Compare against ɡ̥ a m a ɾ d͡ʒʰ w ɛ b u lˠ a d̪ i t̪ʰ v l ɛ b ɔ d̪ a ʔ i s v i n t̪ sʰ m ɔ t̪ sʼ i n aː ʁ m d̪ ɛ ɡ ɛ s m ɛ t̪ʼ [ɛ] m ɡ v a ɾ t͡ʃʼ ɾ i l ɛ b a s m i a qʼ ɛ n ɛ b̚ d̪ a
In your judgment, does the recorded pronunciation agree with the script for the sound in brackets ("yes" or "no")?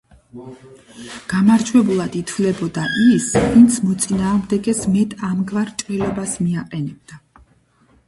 no